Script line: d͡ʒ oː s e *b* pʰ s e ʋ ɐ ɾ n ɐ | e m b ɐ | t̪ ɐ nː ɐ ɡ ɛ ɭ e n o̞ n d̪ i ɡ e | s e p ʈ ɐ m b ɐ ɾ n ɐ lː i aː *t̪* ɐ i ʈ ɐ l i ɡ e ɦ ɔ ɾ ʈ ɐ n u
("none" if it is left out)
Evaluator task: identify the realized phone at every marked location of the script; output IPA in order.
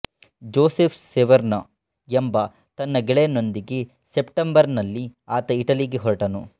none, t̪

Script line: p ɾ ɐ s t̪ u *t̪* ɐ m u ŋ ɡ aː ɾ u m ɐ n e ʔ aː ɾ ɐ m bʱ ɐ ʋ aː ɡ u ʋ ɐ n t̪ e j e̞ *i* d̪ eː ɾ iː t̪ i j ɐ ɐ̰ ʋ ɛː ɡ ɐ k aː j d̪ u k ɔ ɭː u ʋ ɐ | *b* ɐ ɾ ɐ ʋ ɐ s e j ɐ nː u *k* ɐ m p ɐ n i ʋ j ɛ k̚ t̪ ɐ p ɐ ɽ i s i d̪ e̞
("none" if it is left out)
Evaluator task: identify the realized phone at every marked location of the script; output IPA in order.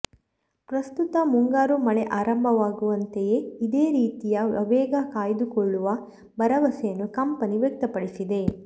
t̪, i, b, k

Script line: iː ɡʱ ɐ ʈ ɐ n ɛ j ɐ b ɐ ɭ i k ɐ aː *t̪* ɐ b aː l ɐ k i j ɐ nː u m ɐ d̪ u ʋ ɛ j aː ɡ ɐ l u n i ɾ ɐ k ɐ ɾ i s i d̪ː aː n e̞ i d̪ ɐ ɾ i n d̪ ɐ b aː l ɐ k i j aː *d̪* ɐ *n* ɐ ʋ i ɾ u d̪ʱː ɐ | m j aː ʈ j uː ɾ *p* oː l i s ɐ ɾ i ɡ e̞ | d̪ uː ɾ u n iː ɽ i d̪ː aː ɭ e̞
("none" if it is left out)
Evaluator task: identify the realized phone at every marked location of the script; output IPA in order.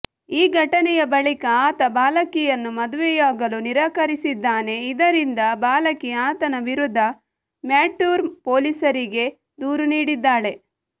t̪, t̪, n, p

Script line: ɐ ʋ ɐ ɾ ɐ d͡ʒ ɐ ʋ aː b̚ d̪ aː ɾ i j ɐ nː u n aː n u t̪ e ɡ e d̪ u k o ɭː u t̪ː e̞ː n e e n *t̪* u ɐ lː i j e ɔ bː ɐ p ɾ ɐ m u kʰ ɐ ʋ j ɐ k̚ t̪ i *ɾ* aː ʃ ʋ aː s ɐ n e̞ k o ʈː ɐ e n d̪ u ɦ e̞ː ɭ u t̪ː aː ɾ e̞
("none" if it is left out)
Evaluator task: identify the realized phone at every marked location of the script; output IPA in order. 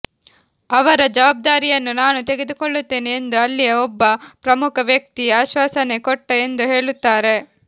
d̪, none

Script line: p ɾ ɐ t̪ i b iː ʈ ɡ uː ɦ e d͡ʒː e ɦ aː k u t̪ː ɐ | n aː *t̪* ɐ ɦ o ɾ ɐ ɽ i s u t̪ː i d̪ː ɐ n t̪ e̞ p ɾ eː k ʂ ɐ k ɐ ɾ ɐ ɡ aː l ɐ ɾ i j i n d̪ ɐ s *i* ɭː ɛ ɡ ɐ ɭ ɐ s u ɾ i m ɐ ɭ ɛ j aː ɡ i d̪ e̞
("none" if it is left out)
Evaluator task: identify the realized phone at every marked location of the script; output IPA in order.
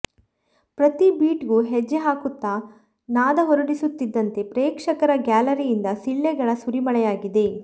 d̪, i

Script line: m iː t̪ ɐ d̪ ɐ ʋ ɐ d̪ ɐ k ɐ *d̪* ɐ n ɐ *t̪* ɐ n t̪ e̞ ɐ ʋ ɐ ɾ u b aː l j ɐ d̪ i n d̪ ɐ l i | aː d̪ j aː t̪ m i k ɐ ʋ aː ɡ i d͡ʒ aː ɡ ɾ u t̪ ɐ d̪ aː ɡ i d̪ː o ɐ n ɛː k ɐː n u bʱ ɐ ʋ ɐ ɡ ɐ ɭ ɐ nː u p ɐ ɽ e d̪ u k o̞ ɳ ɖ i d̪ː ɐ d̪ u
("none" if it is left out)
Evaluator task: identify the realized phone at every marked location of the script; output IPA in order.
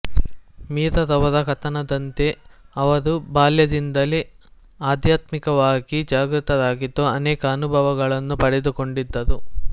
t̪, d̪

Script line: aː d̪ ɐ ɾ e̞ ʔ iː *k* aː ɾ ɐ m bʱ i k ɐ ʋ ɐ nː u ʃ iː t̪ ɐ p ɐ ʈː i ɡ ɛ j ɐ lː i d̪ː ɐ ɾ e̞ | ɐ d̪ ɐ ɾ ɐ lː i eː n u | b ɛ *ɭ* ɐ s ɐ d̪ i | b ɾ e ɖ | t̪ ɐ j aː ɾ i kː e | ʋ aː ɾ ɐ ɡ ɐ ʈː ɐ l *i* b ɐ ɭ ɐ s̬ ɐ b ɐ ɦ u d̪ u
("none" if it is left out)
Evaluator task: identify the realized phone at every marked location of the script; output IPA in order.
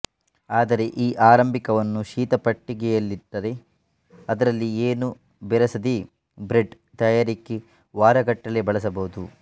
ʔ, ɾ, e

